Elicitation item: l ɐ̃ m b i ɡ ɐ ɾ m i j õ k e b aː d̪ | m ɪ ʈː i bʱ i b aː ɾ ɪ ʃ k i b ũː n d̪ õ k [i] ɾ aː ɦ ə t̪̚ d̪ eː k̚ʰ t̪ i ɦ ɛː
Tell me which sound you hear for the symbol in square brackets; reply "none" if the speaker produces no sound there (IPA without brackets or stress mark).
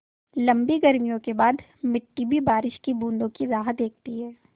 i